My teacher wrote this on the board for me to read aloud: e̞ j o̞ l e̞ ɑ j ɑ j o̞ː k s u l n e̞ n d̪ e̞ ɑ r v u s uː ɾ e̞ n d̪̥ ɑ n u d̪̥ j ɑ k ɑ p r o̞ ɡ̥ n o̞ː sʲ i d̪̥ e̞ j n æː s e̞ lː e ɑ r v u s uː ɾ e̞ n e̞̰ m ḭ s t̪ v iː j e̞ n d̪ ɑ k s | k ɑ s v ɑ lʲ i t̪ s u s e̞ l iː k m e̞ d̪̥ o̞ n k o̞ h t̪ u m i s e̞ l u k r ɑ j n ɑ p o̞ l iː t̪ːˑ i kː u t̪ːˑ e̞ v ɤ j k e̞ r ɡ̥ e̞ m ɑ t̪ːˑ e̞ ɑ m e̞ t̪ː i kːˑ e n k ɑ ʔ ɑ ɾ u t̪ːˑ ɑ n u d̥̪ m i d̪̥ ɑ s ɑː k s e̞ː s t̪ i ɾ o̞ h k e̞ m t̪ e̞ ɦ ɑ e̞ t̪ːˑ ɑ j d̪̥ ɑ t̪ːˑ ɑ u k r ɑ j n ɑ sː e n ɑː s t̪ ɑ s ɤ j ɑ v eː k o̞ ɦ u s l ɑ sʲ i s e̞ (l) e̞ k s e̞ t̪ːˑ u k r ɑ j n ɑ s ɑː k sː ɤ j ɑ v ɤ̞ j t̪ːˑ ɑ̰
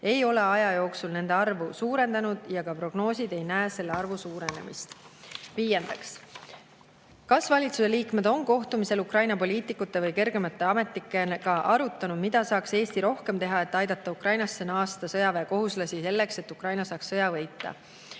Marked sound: incorrect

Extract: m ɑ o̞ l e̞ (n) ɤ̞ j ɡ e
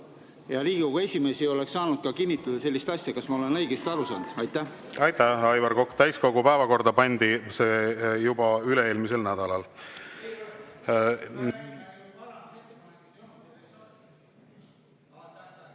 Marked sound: correct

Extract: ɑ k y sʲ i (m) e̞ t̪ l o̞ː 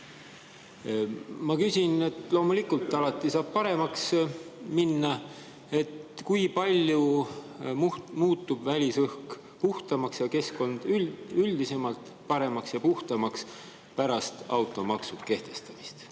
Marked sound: incorrect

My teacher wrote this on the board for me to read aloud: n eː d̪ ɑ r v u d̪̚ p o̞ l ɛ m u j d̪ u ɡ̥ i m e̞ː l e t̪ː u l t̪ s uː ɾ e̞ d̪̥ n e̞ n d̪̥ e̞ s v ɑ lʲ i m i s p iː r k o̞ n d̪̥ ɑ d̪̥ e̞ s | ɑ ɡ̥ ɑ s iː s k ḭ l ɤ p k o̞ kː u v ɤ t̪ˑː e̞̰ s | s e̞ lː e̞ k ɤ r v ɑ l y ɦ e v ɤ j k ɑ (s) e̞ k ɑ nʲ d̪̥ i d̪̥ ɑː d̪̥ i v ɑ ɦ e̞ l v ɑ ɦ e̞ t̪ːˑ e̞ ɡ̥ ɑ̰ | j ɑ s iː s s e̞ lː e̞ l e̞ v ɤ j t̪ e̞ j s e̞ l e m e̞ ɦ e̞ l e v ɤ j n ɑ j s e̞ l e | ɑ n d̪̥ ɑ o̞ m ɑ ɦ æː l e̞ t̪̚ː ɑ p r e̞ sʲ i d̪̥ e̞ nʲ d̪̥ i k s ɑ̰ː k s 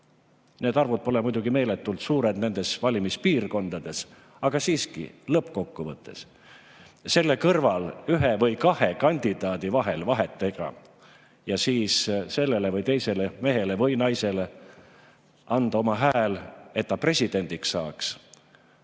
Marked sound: incorrect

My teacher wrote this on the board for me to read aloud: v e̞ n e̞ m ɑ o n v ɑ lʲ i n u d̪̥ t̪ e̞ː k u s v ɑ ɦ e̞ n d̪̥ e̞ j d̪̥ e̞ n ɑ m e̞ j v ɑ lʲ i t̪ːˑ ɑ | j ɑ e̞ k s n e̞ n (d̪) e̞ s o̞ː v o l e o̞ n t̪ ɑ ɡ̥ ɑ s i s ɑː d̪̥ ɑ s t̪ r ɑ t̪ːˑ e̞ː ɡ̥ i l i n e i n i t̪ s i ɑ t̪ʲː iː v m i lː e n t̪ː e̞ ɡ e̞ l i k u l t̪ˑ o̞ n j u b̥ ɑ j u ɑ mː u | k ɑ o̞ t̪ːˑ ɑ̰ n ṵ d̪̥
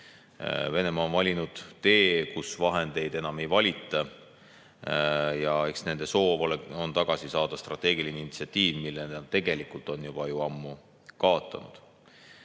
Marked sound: correct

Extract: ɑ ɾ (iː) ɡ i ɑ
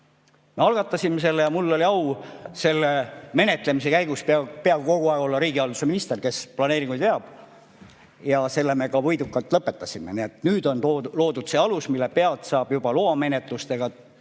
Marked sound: correct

